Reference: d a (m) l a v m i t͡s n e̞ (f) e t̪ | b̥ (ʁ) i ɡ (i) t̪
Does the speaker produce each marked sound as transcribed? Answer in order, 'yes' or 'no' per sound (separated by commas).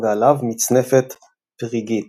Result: no, yes, yes, yes